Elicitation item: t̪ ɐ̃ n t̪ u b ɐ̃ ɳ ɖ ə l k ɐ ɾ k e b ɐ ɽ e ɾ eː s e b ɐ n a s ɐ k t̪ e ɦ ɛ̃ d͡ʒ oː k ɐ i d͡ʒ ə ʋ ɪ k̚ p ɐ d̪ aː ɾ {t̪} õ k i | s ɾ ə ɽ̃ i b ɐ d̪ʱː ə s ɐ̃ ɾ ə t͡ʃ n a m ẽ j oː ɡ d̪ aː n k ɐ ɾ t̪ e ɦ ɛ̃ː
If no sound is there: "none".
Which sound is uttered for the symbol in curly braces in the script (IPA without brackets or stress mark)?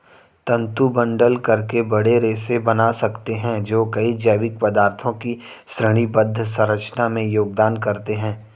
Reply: t̪ʰ